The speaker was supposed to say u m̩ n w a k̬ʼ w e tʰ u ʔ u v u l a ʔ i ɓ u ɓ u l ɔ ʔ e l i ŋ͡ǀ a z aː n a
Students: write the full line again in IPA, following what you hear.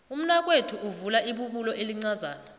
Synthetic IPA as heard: u m̩ n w a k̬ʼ w e tʰ u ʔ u v u l a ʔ i ɓ u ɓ u l ɔ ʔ e l i ŋ͡ǀ a z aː n a